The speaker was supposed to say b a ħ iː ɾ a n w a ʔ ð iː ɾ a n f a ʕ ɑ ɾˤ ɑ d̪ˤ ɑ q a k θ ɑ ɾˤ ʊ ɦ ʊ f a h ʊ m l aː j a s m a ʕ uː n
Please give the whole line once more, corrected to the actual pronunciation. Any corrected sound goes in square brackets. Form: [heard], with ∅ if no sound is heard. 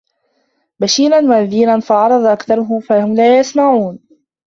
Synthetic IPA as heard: b a [ʃ] iː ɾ a n w a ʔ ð iː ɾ a n f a ʕ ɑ ɾˤ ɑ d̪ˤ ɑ [ʔ] a k θ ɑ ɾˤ ʊ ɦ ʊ f a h ʊ m l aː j a s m a ʕ uː n